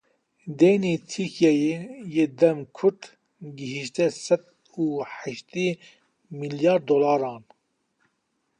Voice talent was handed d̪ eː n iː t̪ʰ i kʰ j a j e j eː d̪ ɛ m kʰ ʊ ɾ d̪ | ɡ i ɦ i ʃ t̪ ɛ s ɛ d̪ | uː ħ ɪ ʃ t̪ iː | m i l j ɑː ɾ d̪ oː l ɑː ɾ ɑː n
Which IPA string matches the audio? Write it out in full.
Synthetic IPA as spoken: d̪ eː n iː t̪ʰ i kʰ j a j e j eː d̪ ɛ m kʰ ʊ ɾ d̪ | ɡ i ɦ i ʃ t̪ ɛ s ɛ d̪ | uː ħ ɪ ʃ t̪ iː | m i l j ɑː ɾ d̪ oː l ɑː ɾ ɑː n